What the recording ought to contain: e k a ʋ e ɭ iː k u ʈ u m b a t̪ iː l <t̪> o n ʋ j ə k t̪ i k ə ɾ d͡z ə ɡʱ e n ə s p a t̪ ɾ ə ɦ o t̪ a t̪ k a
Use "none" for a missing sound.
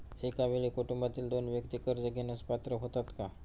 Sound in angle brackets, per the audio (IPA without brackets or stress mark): d̪